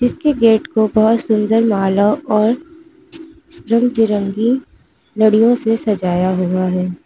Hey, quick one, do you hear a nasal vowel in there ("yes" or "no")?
yes